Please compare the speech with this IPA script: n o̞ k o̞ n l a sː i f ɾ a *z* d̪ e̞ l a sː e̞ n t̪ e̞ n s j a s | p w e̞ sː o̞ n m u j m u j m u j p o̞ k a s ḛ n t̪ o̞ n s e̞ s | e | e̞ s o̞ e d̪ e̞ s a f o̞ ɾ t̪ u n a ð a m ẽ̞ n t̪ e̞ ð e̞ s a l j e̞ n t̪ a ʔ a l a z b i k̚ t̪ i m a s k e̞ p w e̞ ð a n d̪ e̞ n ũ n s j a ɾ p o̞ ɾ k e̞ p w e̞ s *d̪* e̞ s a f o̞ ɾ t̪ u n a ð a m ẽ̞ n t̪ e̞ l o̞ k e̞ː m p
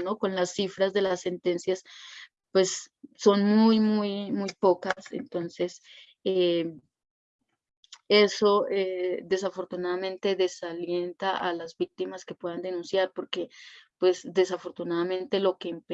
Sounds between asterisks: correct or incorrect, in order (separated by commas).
correct, correct